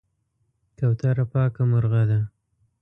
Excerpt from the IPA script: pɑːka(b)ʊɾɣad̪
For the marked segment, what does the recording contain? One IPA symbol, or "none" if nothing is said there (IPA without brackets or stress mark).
m